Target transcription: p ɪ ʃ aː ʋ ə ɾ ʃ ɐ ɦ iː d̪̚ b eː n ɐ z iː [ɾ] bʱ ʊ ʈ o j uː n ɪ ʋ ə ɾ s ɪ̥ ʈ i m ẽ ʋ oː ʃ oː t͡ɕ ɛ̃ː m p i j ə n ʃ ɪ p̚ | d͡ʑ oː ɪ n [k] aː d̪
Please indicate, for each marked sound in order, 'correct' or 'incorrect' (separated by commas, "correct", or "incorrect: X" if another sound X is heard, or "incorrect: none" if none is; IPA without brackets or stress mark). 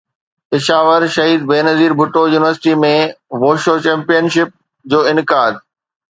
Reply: correct, correct